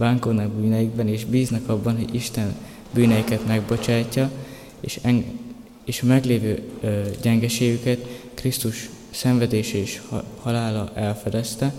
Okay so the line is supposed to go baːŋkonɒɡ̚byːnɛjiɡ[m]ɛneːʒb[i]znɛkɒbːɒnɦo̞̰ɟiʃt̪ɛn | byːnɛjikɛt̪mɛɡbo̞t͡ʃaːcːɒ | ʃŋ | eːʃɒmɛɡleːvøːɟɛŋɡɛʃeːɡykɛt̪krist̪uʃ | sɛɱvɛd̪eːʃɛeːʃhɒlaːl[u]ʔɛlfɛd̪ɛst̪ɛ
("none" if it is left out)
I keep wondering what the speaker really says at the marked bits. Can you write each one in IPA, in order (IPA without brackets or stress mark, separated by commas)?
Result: b, iː, ɒ